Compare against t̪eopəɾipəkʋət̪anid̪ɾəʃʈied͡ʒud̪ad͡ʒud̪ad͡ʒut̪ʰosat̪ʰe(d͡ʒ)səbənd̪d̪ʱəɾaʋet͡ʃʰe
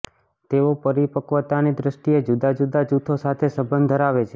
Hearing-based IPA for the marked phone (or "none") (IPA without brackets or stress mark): none